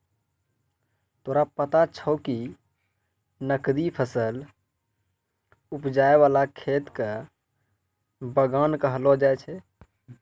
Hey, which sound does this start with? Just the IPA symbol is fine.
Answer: t̪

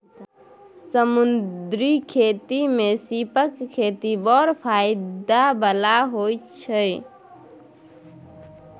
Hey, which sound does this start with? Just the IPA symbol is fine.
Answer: s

